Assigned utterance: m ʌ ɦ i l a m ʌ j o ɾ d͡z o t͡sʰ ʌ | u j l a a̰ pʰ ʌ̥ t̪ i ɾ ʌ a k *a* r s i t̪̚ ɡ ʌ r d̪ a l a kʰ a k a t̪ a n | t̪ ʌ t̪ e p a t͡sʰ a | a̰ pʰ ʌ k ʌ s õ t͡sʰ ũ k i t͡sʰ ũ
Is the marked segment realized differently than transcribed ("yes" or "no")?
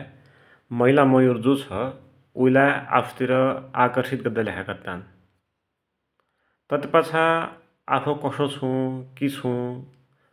yes